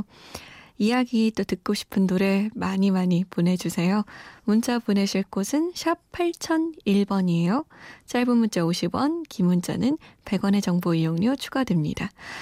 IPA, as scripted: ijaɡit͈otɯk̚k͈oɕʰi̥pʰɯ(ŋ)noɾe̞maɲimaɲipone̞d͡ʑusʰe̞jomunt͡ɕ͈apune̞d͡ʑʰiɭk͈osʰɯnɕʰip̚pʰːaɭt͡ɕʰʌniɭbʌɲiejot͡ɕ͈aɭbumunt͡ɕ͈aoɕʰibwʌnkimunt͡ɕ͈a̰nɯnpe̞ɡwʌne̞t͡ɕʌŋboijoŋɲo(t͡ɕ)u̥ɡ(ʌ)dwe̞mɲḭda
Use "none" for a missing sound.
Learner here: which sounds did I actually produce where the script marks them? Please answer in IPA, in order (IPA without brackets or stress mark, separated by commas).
n, t͡ɕʰ, a